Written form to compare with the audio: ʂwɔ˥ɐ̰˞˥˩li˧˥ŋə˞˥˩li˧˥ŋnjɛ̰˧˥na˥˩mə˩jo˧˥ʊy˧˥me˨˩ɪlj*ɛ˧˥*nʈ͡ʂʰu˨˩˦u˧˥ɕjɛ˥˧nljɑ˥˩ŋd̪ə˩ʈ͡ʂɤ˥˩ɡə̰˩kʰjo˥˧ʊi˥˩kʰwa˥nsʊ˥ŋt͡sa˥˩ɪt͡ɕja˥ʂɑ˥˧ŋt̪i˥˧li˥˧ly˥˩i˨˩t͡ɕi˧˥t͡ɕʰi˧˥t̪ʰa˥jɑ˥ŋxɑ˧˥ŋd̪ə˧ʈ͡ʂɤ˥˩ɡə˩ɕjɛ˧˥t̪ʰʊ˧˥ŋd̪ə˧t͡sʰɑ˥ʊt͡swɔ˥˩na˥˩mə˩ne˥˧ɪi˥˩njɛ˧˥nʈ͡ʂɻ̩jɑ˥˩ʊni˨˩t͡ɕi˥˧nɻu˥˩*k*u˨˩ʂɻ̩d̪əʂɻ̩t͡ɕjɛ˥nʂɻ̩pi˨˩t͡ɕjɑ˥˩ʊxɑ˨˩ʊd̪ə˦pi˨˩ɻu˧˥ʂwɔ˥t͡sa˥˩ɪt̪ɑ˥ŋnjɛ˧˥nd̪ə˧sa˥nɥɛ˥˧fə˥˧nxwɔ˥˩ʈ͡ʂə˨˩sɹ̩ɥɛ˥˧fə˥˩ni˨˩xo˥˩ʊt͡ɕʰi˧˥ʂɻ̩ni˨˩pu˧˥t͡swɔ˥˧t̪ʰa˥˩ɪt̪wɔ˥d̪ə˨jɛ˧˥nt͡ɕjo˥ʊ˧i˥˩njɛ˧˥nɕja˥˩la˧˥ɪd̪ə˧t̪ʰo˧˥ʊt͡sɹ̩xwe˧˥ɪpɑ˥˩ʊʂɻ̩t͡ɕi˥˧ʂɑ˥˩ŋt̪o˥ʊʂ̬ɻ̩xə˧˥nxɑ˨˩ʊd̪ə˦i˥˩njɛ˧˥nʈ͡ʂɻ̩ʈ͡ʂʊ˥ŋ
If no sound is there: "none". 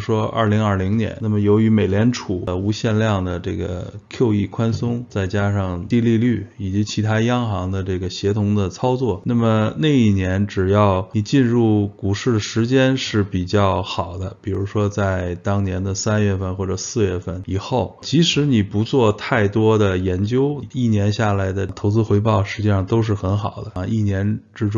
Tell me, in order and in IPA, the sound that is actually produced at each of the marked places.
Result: ɛ˧˥, k

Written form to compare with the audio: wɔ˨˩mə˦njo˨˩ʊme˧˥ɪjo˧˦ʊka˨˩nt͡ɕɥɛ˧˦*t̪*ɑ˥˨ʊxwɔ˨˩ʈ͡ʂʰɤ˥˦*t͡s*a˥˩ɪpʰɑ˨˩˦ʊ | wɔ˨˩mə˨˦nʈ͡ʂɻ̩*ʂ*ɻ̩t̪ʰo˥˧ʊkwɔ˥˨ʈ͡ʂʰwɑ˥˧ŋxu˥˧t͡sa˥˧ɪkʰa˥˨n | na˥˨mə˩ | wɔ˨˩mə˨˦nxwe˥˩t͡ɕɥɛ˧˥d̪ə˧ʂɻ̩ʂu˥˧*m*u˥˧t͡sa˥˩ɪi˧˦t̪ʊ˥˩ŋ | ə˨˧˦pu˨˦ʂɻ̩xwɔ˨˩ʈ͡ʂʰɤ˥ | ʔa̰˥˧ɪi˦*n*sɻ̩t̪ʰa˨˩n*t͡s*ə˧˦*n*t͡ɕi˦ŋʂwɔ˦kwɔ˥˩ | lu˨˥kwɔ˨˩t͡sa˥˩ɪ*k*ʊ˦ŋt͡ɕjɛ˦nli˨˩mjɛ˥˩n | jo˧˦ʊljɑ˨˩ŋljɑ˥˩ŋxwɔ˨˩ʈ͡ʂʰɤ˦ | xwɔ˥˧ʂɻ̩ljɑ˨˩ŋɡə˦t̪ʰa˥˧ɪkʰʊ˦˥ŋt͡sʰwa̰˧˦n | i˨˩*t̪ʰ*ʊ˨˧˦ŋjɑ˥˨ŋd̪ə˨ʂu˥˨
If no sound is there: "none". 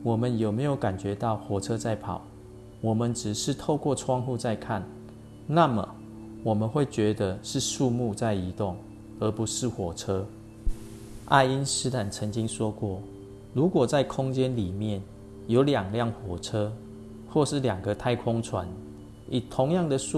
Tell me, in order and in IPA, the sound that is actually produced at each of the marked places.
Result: t̪, t͡s, ʂ, m, n, t͡sʰ, ŋ, kʰ, t̪ʰ

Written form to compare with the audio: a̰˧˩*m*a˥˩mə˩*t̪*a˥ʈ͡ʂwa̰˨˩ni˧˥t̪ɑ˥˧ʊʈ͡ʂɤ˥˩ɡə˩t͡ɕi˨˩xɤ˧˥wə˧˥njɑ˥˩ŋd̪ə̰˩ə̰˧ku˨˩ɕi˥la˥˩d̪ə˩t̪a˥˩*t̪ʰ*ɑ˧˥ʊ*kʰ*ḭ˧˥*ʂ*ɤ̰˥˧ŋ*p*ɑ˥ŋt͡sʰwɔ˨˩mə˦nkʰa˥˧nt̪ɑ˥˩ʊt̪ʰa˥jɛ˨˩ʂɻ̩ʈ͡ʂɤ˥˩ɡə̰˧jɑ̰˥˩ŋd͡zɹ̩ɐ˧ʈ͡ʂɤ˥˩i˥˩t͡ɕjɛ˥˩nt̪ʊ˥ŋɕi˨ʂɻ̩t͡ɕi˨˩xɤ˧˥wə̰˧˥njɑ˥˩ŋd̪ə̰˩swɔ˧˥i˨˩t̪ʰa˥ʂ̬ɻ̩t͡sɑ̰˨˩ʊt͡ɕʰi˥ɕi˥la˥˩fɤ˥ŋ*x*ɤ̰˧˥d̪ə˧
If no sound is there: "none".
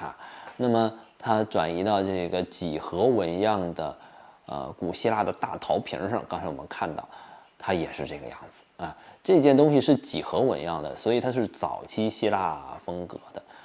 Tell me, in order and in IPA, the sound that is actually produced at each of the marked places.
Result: n, t̪ʰ, t̪ʰ, pʰ, ʂ, k, k

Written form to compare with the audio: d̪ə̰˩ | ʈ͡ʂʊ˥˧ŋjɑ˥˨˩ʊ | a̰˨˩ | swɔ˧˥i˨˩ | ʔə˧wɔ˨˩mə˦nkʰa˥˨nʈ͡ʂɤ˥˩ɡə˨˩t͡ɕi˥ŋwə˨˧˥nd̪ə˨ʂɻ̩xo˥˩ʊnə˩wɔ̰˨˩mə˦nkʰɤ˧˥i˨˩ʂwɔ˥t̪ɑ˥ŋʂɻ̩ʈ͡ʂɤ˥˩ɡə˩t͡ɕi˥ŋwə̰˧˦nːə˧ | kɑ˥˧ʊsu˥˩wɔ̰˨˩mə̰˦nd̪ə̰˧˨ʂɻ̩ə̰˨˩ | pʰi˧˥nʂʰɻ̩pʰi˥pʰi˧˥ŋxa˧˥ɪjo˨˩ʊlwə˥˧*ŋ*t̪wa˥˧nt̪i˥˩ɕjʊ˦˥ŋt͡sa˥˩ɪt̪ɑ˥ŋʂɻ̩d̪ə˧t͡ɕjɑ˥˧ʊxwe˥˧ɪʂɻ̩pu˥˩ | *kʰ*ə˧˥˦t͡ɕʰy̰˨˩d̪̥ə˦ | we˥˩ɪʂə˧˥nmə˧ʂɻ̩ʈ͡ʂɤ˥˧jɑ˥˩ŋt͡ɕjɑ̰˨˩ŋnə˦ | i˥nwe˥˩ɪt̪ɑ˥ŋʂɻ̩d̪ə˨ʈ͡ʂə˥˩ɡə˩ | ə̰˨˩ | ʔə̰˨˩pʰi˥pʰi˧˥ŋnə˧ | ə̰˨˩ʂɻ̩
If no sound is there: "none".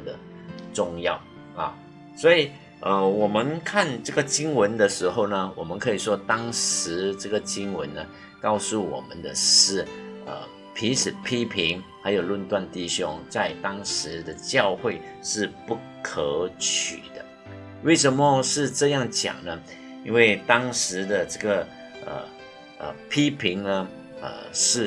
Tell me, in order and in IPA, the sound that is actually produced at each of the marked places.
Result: n, kʰ

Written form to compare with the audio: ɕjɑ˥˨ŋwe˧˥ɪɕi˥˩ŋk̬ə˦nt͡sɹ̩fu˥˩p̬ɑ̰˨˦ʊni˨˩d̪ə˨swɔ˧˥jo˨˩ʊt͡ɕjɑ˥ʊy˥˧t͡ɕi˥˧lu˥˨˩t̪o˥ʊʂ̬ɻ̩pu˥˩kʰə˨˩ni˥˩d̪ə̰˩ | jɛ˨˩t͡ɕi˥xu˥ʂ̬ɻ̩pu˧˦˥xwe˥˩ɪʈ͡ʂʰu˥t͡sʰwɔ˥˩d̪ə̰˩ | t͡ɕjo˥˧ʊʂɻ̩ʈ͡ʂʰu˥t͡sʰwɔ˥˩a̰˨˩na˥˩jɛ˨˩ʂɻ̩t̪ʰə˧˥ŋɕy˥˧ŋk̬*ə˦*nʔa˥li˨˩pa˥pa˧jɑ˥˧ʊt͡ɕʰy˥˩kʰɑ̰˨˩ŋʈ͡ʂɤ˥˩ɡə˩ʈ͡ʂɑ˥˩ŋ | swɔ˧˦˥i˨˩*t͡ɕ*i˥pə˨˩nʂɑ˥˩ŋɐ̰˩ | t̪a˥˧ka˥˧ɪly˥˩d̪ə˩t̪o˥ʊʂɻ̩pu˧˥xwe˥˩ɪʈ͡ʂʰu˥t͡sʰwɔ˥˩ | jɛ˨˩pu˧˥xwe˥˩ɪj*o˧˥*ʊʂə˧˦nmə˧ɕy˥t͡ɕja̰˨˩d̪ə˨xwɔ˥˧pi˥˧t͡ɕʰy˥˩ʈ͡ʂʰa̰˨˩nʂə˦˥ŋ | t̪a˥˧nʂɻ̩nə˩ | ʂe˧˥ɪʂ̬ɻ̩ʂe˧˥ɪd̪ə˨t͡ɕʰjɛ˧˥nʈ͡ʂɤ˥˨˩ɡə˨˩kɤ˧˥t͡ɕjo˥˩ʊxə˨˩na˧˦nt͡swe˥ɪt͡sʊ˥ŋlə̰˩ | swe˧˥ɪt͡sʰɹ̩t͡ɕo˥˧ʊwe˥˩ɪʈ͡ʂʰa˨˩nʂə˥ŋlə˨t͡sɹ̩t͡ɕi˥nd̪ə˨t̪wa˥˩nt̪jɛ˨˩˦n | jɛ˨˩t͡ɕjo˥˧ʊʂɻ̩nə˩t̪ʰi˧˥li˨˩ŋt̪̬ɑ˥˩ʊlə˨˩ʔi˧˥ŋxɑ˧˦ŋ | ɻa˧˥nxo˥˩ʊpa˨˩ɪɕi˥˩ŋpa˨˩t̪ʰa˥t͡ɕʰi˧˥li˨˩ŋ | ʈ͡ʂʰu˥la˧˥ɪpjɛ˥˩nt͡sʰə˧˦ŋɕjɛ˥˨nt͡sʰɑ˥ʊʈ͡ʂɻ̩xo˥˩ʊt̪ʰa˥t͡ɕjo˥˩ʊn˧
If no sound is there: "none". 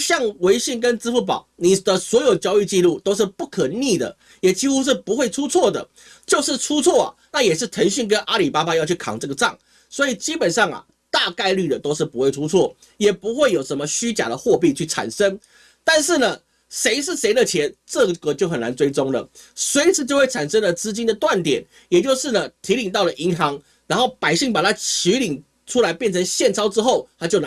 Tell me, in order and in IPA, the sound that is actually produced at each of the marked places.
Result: ə˦, t͡ɕ, o˨˩

